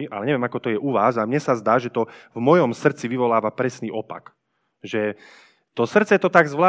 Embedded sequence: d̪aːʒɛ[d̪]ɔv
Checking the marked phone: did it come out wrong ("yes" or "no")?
yes